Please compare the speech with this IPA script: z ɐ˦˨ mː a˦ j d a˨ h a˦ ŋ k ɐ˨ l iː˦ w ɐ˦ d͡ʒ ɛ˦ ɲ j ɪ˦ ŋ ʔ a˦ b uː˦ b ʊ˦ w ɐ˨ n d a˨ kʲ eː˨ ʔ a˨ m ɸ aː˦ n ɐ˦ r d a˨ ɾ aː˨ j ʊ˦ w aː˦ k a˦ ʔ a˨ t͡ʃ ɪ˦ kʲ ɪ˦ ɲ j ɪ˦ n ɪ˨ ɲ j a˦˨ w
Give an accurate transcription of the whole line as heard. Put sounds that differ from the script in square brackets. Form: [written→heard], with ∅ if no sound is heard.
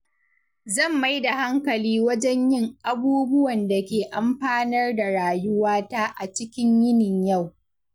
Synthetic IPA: z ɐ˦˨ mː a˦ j d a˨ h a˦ ŋ k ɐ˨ l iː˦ w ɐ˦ d͡ʒ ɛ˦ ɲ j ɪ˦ ŋ ʔ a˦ b uː˦ b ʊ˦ w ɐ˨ n d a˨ kʲ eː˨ ʔ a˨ m ɸ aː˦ n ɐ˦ r d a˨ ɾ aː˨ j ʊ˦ w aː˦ [k→t] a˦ ʔ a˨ t͡ʃ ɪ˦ kʲ ɪ˦ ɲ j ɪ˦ n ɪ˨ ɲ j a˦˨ w